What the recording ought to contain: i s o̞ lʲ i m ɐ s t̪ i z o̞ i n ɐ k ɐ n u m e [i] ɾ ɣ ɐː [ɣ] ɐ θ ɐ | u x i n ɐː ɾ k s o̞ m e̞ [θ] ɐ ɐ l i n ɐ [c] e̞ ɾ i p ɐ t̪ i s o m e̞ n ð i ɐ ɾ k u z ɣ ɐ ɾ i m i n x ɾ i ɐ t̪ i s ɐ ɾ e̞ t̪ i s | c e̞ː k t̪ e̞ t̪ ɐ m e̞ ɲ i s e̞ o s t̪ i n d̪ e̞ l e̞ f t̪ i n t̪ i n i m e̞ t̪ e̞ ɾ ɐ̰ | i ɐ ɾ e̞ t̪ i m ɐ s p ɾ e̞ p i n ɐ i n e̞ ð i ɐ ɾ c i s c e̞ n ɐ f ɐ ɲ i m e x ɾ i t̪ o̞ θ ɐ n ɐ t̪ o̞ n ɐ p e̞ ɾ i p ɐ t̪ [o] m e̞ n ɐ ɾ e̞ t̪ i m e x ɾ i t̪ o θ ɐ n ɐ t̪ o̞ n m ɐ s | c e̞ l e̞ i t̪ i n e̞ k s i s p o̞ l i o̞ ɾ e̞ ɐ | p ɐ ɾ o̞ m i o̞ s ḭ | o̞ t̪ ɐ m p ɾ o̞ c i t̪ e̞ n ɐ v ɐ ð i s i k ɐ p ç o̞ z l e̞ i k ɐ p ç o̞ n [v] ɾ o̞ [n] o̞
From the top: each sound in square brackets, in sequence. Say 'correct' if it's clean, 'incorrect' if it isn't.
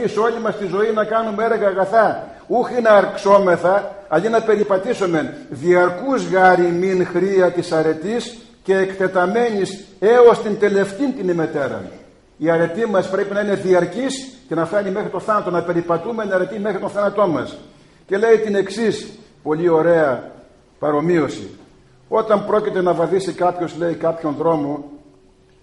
incorrect: e, correct, correct, incorrect: p, incorrect: u, incorrect: ð, incorrect: m

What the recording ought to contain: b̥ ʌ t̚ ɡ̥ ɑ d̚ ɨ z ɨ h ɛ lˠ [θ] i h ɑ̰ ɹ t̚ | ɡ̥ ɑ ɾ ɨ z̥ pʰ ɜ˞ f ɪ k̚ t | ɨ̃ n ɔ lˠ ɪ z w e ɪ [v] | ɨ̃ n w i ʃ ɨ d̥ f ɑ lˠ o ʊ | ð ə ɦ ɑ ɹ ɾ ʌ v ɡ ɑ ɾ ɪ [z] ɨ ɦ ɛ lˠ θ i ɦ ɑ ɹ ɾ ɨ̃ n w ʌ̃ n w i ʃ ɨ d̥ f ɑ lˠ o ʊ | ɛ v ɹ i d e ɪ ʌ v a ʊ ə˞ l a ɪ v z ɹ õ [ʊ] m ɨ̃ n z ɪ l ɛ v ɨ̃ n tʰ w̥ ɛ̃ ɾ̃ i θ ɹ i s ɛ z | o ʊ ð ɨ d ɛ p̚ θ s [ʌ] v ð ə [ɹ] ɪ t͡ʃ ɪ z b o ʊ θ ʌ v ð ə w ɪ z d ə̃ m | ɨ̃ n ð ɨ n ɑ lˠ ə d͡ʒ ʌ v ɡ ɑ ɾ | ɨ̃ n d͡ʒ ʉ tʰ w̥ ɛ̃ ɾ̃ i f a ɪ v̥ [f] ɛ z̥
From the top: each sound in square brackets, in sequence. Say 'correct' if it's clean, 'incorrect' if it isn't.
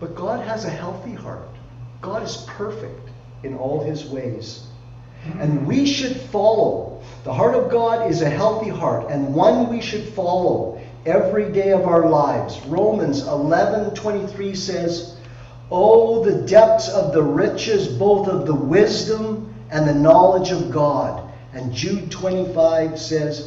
correct, incorrect: z, correct, incorrect: ʊ̃, correct, correct, incorrect: s

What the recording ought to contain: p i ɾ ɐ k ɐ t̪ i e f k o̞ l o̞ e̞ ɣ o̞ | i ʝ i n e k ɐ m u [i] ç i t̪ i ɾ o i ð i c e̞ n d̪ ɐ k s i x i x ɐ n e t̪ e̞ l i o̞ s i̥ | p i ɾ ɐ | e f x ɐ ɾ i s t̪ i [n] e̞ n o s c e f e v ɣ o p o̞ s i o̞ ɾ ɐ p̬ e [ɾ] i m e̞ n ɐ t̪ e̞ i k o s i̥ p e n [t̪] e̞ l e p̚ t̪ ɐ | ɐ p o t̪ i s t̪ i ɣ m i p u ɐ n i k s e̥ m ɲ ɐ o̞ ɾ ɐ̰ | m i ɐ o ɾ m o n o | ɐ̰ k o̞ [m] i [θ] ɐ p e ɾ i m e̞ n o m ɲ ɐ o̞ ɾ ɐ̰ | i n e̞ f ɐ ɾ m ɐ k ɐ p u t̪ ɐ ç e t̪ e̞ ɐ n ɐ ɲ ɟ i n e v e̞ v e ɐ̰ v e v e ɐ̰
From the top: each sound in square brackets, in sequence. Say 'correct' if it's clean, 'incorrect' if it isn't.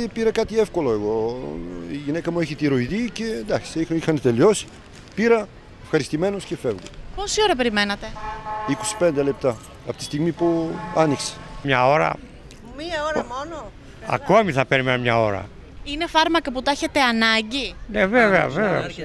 incorrect: e, incorrect: m, correct, incorrect: d̪, correct, correct

